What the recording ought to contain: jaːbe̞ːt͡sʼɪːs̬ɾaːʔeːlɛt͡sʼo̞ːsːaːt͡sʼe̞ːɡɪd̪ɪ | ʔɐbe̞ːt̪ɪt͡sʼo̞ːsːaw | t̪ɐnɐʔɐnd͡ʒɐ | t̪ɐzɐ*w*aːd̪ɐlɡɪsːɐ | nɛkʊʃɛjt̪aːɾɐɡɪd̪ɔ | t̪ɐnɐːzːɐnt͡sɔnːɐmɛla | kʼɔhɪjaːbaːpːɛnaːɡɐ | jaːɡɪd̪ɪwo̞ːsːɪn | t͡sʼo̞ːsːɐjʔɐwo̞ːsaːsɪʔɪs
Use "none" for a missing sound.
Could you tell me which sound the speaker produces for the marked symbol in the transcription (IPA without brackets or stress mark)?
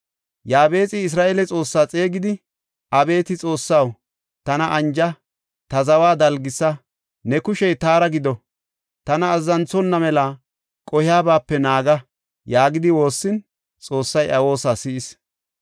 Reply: w